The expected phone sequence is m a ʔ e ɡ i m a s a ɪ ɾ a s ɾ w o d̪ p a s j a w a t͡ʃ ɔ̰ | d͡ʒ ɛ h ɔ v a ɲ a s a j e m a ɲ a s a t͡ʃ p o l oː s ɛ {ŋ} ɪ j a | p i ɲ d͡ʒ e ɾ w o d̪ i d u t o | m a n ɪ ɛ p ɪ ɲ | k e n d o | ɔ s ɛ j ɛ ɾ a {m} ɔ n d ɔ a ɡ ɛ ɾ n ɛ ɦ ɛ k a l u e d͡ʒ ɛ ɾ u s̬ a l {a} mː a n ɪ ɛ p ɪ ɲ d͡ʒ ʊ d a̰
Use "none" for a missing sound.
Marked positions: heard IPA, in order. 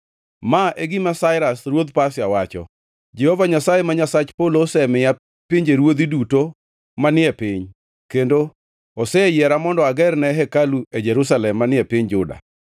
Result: m, m, ɛ

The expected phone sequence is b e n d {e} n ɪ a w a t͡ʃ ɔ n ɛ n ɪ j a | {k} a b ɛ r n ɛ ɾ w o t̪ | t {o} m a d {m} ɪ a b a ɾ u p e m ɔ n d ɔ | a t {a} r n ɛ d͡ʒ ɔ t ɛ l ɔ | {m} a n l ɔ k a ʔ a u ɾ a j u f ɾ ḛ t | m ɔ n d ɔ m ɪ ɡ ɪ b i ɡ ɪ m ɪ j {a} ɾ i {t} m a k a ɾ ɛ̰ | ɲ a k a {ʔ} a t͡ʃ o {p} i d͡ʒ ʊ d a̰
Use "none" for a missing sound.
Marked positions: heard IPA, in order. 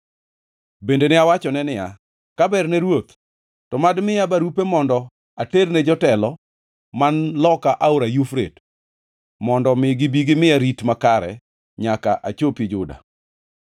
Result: e, k, ɔ, m, e, m, a, t, ʔ, p

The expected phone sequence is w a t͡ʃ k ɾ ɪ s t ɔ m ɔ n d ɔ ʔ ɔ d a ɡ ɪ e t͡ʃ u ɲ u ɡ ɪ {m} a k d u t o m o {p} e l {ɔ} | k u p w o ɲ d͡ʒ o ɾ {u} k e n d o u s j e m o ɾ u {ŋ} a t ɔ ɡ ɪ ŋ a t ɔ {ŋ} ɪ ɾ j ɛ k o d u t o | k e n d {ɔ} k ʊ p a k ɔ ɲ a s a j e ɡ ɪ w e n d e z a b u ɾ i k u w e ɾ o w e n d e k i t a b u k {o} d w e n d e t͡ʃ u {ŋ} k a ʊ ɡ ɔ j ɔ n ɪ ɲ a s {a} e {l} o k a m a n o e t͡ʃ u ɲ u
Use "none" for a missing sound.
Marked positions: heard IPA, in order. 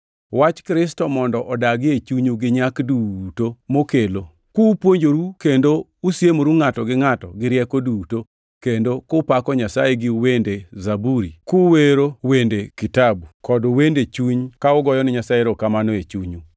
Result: ɲ, k, o, u, ŋ, ɡ, o, ɔ, ɲ, a, ɾ

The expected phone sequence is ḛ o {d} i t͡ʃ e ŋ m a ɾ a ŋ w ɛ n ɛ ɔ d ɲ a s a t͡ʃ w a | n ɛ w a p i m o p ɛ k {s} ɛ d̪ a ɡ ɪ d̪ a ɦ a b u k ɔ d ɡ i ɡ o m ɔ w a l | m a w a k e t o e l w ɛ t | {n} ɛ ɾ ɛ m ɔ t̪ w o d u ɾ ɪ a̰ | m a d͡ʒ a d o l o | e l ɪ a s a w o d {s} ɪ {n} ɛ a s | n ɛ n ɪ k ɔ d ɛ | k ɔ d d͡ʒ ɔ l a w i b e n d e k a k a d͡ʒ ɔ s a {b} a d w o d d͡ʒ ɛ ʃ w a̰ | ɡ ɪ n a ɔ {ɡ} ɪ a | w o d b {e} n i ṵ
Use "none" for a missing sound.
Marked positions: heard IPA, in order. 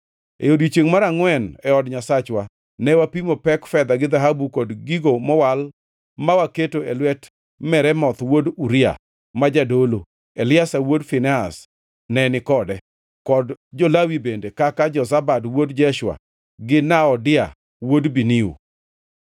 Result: d, f, m, f, n, b, d, i

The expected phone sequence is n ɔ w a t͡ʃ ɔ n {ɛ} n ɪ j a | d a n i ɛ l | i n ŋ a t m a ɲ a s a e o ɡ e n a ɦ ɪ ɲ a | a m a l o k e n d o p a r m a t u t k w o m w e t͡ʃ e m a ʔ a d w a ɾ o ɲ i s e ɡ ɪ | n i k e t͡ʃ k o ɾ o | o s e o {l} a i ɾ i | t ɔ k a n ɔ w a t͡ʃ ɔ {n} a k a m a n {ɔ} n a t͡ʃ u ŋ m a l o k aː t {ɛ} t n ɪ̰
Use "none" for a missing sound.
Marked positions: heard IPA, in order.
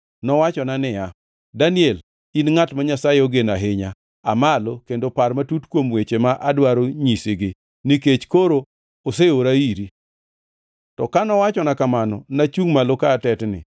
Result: a, ɾ, n, ɔ, ɛ

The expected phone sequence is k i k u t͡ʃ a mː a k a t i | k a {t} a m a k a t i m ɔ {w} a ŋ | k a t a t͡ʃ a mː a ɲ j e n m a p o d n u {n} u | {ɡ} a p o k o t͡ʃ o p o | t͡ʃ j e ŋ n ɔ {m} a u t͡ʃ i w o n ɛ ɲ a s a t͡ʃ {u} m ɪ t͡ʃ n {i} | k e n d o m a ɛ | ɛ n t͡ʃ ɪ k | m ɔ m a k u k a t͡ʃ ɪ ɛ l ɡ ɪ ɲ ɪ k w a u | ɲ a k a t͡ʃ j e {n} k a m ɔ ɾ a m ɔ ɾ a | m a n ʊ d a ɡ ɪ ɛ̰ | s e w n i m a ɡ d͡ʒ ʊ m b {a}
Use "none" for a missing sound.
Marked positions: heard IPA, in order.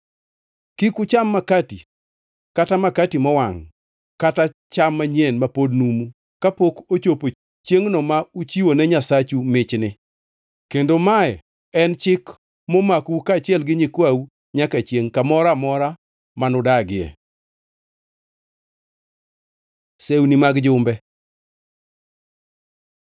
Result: t, w, m, k, m, u, ɪ, ŋ, ɛ

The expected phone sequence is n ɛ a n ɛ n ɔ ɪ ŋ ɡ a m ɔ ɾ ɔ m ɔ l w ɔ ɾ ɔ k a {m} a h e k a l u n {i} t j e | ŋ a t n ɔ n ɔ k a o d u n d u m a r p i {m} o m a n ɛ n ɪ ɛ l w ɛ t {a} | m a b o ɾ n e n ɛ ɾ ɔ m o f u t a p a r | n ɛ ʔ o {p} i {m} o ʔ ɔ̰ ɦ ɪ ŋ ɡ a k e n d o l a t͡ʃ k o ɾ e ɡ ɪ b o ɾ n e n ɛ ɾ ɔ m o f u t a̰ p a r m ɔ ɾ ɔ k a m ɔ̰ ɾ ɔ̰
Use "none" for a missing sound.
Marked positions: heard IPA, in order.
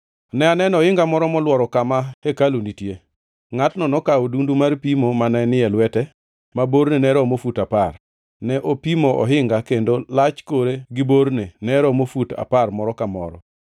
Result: m, i, m, ɛ, p, m

